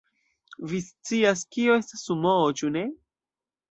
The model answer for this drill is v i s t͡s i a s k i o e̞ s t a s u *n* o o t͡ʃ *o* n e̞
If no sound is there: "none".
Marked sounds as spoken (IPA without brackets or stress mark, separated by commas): m, u